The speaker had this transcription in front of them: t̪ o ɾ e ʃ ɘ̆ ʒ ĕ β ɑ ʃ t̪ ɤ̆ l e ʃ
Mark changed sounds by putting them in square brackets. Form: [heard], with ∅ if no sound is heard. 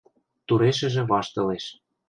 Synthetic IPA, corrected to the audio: t̪ [u] ɾ e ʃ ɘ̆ ʒ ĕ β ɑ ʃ t̪ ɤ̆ l e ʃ